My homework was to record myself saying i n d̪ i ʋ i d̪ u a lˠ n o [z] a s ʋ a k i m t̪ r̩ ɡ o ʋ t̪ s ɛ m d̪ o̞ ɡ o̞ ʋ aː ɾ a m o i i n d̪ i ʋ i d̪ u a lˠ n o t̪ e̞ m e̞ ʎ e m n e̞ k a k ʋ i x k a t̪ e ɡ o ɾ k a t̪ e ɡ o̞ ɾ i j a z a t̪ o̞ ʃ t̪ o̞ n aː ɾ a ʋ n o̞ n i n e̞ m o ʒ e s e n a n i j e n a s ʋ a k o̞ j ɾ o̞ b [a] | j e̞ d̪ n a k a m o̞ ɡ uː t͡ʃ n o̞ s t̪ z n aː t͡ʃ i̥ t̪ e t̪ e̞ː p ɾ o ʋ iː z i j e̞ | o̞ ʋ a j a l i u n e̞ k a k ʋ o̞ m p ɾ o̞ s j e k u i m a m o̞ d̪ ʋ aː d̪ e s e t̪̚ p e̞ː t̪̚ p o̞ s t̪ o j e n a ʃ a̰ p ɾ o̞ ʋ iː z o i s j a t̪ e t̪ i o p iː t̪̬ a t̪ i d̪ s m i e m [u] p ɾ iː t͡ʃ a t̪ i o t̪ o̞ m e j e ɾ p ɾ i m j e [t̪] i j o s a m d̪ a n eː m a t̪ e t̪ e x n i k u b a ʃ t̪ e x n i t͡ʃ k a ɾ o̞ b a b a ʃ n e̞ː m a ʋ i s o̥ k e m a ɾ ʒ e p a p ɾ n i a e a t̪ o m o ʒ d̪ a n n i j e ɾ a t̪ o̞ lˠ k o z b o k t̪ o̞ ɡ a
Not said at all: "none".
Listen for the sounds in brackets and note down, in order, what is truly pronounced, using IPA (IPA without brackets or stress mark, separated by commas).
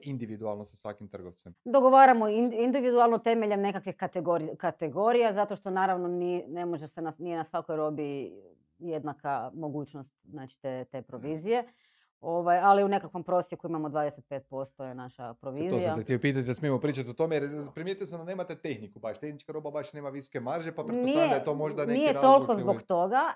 s, i, o, t̪